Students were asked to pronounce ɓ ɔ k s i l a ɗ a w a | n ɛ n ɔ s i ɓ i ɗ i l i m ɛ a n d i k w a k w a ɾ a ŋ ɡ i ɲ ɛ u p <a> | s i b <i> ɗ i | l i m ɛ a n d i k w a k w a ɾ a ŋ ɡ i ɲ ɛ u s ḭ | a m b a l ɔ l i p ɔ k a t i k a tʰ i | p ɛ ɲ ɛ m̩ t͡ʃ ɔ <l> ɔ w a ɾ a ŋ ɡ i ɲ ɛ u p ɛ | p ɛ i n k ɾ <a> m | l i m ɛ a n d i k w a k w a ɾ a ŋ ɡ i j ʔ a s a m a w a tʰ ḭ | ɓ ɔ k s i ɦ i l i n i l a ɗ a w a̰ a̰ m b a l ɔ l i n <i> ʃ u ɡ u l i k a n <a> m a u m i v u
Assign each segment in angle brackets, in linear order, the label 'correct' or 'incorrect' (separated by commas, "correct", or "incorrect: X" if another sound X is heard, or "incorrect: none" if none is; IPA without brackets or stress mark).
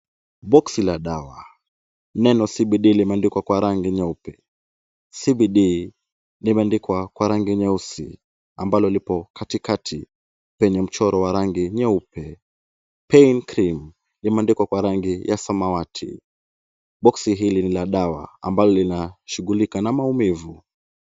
incorrect: ɛ, correct, incorrect: ɾ, incorrect: i, incorrect: a, correct